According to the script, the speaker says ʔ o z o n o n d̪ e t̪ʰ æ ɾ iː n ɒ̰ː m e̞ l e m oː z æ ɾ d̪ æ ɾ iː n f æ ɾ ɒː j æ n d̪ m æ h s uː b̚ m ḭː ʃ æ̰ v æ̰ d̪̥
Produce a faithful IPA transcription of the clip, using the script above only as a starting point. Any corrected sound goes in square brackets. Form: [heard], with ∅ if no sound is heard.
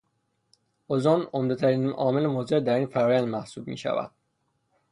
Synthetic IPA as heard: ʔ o z o n o [m] d̪ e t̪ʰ æ ɾ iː n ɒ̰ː m e̞ l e m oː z [e] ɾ d̪ æ ɾ iː n f æ ɾ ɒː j æ n d̪ m æ h s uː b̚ m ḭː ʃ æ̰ v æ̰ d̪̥